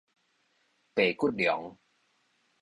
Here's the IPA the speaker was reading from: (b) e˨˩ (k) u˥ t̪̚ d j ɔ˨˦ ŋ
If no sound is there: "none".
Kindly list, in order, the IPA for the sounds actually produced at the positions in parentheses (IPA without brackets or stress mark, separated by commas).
p, k